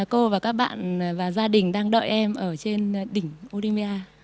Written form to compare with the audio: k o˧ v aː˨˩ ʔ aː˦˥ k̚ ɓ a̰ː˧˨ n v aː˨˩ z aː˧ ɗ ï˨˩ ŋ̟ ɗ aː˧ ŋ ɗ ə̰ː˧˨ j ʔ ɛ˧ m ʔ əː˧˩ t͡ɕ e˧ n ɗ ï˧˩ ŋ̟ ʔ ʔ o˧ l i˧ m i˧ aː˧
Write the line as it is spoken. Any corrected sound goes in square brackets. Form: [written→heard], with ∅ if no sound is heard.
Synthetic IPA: k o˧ v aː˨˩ [ʔ→k] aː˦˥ k̚ ɓ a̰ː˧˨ n v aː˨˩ z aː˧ ɗ ï˨˩ ŋ̟ ɗ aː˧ ŋ ɗ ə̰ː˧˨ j ʔ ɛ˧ m ʔ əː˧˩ t͡ɕ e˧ n ɗ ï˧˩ ŋ̟ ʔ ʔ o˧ l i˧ m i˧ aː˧